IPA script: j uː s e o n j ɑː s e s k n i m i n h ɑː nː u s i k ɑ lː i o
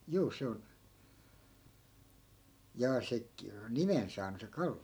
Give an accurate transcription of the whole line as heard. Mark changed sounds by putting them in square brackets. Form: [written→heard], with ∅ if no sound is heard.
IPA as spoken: j uː s e o n j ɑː s e [s→∅] k n i m [i→e] n [h→s] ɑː [nː→n] u s [i→e] k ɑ lː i o